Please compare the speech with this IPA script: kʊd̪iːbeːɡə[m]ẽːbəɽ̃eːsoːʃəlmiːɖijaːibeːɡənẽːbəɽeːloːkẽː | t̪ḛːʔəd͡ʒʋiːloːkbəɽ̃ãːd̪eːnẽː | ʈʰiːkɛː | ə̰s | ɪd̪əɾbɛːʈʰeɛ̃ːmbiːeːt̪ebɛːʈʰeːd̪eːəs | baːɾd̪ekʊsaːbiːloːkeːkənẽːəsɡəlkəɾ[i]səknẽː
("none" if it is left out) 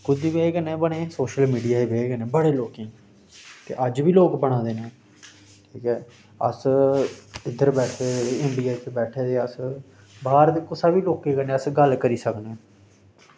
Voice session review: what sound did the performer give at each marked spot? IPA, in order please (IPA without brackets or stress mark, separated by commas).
n, iː